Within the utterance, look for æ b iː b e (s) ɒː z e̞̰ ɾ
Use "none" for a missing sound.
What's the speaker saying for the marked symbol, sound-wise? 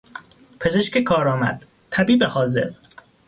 h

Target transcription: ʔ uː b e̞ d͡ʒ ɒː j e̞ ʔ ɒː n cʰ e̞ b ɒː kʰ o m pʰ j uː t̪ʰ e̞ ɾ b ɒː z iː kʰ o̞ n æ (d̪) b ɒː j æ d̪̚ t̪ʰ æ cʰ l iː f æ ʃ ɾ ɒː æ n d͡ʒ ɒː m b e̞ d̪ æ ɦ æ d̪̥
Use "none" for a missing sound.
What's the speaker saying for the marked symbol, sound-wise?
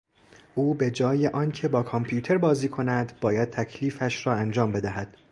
d̪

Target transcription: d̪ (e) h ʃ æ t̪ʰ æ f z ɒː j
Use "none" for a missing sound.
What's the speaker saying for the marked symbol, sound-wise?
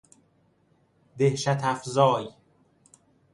e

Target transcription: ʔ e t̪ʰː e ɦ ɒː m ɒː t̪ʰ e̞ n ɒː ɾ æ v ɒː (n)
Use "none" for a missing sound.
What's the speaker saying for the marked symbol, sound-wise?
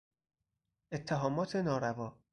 none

